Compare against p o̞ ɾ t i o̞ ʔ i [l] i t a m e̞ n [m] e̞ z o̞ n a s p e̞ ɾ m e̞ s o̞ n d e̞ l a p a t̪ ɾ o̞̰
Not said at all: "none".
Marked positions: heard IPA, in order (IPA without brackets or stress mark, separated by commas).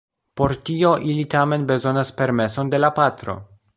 l, b